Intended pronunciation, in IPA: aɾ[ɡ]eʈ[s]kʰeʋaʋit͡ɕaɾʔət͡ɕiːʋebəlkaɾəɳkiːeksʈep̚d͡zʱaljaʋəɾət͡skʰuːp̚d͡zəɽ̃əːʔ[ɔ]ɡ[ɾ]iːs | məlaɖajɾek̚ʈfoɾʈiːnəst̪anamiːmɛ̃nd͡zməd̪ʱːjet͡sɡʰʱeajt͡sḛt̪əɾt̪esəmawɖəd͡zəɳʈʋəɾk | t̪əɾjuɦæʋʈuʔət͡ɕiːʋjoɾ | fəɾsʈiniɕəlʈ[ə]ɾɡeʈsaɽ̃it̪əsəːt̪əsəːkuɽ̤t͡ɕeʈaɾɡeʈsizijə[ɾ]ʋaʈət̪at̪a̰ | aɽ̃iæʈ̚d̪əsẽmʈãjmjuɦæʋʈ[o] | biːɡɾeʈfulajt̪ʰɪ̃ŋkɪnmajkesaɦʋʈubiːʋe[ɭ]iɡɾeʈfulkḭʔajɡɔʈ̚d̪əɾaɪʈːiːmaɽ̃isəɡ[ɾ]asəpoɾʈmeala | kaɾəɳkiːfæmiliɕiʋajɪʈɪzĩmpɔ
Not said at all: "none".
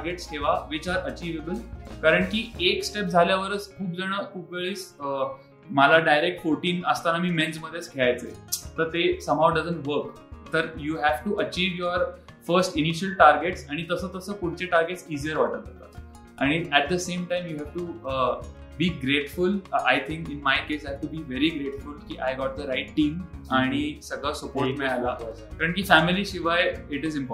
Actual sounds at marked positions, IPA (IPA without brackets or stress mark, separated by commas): ɡ, s, u, ɭ, a, ɾ, u, ɾ, ɭ